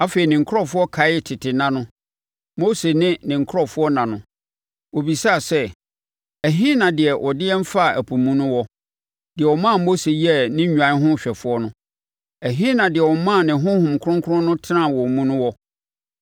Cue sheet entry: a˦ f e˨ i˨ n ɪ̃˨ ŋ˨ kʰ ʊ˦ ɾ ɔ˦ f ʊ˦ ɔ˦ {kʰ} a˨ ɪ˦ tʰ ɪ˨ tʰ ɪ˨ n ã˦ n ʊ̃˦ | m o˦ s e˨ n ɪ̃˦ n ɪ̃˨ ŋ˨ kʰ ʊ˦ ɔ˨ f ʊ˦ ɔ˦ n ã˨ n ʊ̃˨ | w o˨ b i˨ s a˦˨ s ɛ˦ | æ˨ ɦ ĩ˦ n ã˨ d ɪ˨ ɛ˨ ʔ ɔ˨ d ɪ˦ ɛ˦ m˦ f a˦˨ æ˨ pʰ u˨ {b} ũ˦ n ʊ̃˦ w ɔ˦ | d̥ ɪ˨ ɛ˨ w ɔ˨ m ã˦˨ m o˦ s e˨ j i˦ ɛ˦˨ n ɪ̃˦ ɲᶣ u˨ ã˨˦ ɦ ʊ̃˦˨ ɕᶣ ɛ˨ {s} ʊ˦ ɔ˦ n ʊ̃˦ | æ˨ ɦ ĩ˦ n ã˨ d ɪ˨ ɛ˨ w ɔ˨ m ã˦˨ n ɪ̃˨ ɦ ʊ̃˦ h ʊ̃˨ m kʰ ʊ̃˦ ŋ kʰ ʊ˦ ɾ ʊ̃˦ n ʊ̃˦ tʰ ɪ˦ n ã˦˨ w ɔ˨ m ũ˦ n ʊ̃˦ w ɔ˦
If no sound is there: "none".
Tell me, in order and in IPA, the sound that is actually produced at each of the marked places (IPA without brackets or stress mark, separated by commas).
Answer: kʰ, m, f